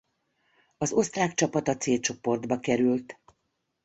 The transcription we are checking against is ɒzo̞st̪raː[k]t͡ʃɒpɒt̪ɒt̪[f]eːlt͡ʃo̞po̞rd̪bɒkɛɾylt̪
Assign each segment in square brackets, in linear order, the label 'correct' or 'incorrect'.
correct, incorrect

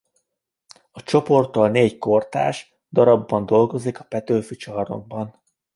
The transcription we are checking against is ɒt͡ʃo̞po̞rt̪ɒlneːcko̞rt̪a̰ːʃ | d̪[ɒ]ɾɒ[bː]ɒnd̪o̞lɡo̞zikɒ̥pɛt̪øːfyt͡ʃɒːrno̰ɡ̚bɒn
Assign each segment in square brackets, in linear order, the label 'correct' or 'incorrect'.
correct, correct

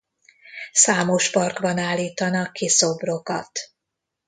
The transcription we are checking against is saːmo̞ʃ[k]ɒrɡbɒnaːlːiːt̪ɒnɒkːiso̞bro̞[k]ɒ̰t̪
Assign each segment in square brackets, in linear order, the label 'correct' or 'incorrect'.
incorrect, correct

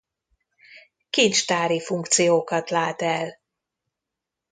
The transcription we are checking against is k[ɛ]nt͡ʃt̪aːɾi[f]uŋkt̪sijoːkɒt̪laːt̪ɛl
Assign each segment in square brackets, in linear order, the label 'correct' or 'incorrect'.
incorrect, correct

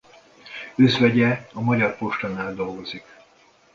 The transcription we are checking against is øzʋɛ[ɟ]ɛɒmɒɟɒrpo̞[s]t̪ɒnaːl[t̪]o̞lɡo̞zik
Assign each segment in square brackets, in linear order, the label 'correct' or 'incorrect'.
correct, incorrect, incorrect

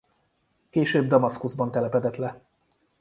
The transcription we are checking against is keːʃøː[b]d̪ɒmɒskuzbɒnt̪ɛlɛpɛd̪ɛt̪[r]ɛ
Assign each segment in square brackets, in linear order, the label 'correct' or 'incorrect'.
correct, incorrect

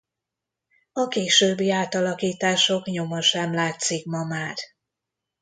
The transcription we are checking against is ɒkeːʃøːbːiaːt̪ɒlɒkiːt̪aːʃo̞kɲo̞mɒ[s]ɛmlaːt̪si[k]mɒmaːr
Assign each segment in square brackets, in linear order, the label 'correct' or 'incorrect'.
incorrect, correct

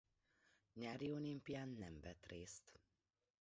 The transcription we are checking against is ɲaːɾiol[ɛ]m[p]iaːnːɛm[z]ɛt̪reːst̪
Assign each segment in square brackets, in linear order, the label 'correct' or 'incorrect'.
incorrect, correct, incorrect

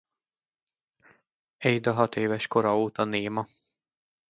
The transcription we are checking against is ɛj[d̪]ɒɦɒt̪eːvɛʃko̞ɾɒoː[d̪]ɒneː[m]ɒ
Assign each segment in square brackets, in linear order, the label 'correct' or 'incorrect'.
correct, incorrect, correct

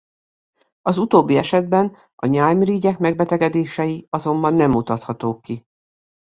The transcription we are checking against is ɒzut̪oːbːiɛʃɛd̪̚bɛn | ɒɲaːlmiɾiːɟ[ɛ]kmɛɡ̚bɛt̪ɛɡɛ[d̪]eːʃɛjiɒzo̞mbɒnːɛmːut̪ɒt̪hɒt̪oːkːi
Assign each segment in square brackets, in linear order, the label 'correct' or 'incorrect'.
correct, correct

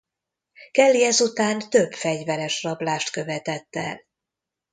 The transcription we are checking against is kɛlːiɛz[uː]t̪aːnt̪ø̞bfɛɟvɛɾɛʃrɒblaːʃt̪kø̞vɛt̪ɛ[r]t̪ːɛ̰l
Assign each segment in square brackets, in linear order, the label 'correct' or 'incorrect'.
incorrect, incorrect

